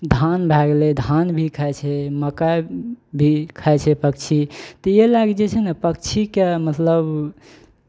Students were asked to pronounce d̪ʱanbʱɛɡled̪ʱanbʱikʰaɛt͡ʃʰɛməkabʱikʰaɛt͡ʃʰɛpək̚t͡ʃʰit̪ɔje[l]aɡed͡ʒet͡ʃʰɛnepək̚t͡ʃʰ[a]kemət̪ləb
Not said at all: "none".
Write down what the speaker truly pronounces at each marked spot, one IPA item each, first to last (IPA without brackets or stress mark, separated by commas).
l, i